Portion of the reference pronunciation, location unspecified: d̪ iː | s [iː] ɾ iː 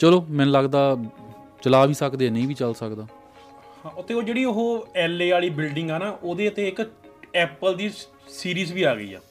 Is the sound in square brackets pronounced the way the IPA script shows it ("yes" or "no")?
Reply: yes